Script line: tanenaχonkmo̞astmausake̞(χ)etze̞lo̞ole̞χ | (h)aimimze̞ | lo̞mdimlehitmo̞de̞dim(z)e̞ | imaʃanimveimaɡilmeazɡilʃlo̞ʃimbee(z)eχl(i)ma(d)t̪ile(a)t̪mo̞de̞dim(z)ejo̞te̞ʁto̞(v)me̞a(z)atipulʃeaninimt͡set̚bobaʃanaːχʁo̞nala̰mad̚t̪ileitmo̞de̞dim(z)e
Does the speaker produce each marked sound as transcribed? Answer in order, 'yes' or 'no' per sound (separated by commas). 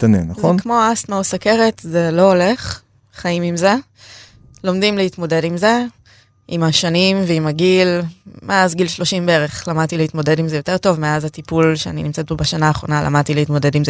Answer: no, no, yes, no, no, yes, no, yes, yes, yes, yes